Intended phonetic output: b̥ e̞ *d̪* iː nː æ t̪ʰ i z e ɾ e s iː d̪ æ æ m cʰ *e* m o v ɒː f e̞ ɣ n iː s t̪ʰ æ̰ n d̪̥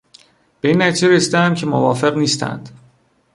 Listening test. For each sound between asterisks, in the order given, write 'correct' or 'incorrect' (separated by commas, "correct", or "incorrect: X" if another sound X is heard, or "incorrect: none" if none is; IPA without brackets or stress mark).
incorrect: none, correct